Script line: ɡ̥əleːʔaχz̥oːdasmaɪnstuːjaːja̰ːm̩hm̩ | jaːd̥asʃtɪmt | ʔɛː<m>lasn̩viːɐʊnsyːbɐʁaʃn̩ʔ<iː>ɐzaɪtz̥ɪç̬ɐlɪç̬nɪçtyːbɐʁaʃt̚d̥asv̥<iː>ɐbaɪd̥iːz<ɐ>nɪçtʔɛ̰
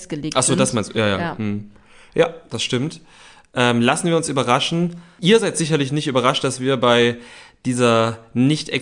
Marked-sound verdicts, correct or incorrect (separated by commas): correct, correct, correct, correct